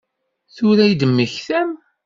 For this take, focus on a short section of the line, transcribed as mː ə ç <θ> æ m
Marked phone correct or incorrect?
correct